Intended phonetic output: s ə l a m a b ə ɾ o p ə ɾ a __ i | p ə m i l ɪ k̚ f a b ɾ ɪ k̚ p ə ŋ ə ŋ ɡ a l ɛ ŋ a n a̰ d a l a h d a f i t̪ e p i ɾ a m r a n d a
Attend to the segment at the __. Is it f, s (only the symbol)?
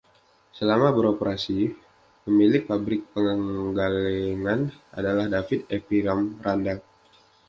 s